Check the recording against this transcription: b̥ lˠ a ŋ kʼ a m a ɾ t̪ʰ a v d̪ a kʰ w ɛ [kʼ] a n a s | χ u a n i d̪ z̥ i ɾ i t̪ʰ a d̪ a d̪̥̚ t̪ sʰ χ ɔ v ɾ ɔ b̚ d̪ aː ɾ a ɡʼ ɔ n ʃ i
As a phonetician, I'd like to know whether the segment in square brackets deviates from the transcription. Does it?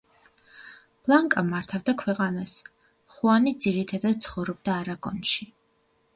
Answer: yes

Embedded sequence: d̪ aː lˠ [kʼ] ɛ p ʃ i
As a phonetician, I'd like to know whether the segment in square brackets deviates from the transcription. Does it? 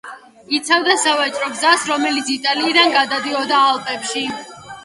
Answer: yes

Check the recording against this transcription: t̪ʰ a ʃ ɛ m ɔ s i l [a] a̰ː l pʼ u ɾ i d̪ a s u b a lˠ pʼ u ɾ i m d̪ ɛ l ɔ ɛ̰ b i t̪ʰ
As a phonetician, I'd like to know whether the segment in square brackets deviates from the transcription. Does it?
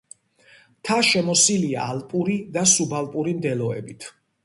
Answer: yes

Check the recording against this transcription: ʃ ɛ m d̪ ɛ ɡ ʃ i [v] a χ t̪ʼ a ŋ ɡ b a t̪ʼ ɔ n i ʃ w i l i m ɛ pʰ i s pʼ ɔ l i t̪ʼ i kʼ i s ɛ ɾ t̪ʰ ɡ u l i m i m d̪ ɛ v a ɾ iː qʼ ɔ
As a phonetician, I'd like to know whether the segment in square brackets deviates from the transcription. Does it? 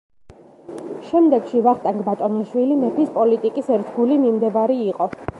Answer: no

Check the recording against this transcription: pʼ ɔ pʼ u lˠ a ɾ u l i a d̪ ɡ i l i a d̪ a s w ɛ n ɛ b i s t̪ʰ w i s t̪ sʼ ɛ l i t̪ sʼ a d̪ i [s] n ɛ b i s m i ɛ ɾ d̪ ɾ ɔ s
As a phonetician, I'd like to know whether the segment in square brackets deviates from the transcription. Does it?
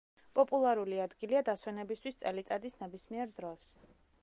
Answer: no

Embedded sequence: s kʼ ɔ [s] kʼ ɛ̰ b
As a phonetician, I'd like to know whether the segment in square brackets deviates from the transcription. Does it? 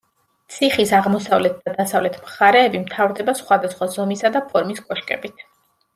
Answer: yes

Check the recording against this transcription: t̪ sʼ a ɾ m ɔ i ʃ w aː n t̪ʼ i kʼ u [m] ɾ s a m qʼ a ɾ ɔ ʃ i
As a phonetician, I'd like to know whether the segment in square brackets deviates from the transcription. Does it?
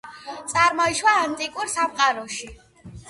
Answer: yes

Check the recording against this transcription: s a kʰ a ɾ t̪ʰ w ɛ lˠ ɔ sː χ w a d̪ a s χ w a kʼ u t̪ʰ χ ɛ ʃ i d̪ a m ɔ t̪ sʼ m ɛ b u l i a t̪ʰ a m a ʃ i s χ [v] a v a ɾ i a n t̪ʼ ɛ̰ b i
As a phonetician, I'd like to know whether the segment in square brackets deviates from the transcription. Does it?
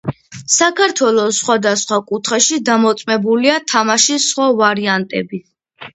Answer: yes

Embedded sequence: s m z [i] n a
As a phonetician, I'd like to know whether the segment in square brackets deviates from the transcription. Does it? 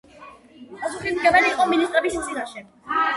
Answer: no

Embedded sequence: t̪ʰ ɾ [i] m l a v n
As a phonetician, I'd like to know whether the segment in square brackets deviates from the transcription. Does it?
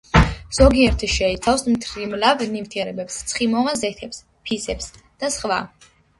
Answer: no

